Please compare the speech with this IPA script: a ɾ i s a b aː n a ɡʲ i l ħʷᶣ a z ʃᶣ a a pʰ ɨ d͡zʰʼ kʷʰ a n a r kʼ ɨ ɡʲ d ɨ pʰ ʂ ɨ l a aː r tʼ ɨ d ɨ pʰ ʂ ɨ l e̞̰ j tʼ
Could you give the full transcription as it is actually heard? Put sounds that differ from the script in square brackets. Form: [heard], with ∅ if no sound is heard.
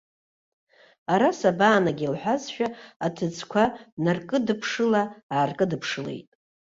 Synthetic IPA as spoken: a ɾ [a] s a b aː n a ɡʲ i l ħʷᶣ a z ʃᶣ a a [tʰ] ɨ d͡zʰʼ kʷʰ a n a r kʼ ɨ [∅] d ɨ pʰ ʂ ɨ l a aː r [kʼ] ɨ d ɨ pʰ ʂ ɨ l e̞̰ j tʼ